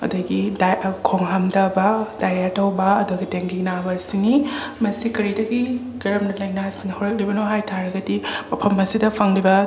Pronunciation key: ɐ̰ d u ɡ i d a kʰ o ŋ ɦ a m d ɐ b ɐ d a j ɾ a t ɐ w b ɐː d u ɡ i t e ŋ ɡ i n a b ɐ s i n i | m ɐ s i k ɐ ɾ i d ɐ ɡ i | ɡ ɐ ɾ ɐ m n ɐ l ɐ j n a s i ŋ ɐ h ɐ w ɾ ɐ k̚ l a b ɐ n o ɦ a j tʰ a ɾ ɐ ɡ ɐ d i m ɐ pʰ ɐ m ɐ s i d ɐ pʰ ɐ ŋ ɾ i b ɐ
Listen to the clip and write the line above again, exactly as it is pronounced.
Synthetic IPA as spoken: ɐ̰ d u ɡ i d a kʰ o ŋ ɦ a m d ɐ b ɐ d a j ɾ a t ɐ w b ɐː d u ɡ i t e ŋ ɡ i n a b ɐ s i n i | m ɐ s i k ɐ ɾ i d ɐ ɡ i | ɡ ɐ ɾ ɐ m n ɐ l ɐ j n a s i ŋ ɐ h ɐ w ɾ ɐ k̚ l i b ɐ n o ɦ a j tʰ a ɾ ɐ ɡ ɐ d i m ɐ pʰ ɐ m ɐ s i d ɐ pʰ ɐ ŋ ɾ i b ɐ